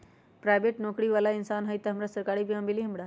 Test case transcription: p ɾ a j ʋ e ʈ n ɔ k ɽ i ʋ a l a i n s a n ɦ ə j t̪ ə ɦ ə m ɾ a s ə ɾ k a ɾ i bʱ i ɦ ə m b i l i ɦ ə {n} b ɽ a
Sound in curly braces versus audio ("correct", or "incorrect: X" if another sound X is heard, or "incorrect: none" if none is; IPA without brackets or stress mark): incorrect: m